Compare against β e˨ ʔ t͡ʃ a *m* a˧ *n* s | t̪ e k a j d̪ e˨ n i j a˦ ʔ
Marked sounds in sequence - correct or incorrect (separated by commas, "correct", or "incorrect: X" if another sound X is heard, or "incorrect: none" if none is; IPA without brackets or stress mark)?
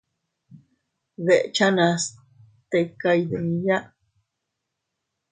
incorrect: n, incorrect: none